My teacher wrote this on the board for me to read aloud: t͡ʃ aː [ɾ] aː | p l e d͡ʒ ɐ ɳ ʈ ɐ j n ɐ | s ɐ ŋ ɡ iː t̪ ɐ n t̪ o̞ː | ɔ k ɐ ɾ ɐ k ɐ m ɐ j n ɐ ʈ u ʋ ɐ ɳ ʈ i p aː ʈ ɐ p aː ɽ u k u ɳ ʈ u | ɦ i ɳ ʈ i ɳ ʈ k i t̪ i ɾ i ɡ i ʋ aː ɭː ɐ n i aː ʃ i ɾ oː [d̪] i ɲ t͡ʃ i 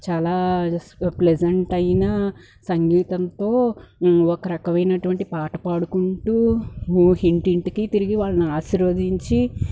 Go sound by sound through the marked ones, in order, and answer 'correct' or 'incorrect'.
incorrect: l, correct

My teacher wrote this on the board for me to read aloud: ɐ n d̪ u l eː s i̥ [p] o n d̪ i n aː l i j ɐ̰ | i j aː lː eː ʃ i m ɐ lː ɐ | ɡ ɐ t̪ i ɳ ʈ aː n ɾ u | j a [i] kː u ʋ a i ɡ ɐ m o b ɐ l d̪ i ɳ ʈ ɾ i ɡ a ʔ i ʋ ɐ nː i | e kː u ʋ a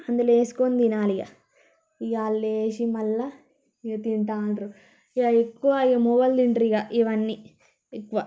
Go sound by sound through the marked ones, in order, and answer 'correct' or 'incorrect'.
incorrect: k, incorrect: e

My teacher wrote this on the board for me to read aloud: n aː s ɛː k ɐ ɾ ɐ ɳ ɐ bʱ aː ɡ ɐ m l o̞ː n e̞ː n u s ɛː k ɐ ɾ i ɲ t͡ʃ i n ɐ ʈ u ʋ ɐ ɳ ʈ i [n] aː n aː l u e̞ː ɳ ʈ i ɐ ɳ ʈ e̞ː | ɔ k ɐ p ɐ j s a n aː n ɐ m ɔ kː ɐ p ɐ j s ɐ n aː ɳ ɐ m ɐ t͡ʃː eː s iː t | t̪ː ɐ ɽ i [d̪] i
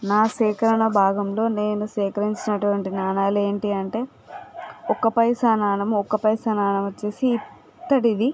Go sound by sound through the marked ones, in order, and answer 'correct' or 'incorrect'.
correct, correct

